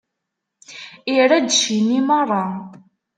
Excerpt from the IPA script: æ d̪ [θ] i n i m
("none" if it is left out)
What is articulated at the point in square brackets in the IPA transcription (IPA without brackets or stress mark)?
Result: ʃ